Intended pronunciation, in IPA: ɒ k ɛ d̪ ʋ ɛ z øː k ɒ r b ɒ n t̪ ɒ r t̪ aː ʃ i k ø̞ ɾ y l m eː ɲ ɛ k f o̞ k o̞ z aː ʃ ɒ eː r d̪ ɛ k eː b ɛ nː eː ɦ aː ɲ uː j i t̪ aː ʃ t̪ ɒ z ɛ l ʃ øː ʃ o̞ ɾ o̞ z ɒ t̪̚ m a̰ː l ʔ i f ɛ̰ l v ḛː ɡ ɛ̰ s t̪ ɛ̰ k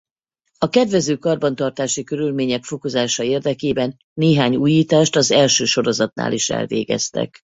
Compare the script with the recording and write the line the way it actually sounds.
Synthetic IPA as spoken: ɒ k ɛ d̪ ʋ ɛ z øː k ɒ r b ɒ n t̪ ɒ r t̪ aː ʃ i k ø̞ ɾ y l m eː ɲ ɛ k f o̞ k o̞ z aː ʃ ɒ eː r d̪ ɛ k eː b ɛ nː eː ɦ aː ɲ uː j iː t̪ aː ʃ t̪ ɒ z ɛ l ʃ øː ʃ o̞ ɾ o̞ z ɒ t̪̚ n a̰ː l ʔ i ʃ ɛ̰ l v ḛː ɡ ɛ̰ s t̪ ɛ̰ k